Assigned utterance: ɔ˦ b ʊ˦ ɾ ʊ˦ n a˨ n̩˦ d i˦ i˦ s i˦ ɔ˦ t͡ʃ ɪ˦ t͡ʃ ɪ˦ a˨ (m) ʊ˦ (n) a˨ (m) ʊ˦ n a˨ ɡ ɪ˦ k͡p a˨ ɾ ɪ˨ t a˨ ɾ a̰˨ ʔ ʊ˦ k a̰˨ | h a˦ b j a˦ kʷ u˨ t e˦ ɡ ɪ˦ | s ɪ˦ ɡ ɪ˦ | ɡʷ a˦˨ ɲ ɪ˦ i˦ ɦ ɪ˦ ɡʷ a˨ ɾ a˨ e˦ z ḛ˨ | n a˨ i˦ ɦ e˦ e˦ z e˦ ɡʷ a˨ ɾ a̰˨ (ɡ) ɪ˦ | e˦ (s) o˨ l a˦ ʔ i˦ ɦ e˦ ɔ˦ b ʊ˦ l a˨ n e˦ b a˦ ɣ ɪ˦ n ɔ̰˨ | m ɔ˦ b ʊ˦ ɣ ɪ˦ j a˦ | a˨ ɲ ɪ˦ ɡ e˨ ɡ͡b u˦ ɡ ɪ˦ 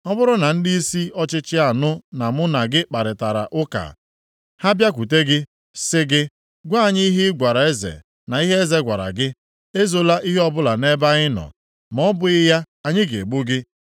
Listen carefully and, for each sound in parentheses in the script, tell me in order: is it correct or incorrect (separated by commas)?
incorrect, correct, correct, correct, incorrect